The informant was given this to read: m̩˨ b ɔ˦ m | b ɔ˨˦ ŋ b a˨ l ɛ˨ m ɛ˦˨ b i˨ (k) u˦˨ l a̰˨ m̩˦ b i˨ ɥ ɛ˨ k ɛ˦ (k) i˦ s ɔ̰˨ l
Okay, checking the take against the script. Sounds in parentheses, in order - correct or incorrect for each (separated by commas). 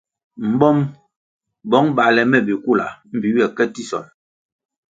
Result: correct, incorrect